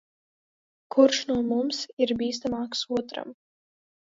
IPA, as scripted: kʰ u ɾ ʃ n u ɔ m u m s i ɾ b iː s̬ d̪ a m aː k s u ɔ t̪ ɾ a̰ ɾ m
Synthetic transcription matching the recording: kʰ u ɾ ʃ n u ɔ m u m s i ɾ b iː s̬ t̪ a m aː k s u ɔ t̪ ɾ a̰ m

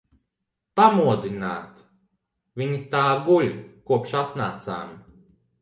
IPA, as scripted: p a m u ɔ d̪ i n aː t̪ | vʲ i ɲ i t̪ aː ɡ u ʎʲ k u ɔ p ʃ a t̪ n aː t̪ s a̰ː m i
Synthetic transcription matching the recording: p a m u ɔ d̪ i n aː t̪ | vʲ i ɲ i t̪ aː ɡ u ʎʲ k u ɔ p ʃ a t̪ n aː t̪ s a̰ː m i

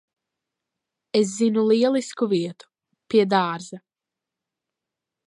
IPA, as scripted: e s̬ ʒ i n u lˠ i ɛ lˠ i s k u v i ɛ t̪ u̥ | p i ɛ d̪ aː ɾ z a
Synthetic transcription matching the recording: e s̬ z i n u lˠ i ɛ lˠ i s k u v i ɛ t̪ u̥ | p i ɛ d̪ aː ɾ z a

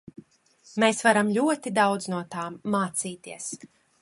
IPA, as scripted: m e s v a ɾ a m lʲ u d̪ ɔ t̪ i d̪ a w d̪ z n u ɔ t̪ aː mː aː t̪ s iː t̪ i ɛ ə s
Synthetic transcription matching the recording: m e s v a ɾ a m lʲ u ɔ t̪ i d̪ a w d̪ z n u ɔ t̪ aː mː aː t̪ s iː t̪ i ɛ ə s

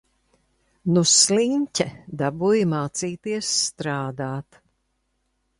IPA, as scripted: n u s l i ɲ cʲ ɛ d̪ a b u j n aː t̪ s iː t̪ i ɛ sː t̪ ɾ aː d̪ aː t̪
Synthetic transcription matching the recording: n u s l i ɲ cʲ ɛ d̪ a b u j m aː t̪ s iː t̪ i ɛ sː t̪ ɾ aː d̪ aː t̪

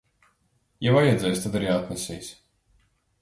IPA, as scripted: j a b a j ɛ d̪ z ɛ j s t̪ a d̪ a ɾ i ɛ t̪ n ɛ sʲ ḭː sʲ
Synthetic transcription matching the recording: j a v a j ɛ d̪ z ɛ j s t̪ a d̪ a ɾ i a t̪ n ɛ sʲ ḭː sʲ

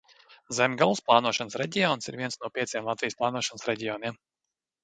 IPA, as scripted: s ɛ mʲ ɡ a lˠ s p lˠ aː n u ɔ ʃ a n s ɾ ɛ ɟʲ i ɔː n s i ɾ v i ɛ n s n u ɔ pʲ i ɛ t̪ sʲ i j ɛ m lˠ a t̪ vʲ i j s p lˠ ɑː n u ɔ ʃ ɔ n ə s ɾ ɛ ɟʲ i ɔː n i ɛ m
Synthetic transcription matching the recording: z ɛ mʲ ɡ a lˠ s p lˠ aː n u ɔ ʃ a n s ɾ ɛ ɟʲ i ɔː n s i ɾ v i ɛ n s n u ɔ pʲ i ɛ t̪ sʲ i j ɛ m lˠ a t̪ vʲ i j s p lˠ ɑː n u ɔ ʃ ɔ n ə s ɾ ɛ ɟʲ i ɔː n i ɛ m

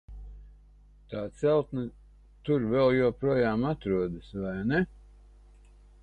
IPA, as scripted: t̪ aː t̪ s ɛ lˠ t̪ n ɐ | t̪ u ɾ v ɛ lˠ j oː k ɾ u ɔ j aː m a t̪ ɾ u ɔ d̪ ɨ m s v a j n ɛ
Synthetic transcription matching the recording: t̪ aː t̪ s ɛ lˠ t̪ n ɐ | t̪ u ɾ v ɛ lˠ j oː p ɾ u ɔ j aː m a t̪ ɾ u ɔ d̪ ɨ s v a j n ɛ

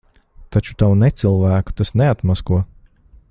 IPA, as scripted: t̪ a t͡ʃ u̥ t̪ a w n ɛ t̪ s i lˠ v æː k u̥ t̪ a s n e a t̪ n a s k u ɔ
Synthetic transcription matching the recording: t̪ a t͡ʃ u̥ t̪ a w n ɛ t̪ s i lˠ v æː k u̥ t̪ a s n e a t̪ m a s k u ɔ

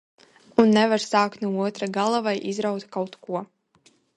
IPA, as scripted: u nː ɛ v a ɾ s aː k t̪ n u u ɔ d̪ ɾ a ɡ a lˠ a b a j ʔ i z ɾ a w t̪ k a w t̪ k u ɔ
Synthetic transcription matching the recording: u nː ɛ v a ɾ s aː k t̪ n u u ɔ t̪ ɾ a ɡ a lˠ a v a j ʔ i z ɾ a w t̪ k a w t̪ k u ɔ

